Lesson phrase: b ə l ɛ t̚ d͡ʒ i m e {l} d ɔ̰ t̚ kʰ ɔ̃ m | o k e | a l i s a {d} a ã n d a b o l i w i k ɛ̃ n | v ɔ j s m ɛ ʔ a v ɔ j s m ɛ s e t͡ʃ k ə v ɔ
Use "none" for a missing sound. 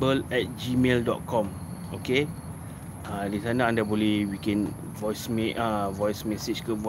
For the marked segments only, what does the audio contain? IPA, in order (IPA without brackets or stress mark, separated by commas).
l, n